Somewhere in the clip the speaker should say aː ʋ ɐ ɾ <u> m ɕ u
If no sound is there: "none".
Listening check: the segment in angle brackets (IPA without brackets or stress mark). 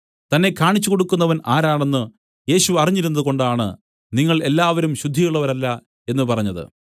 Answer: u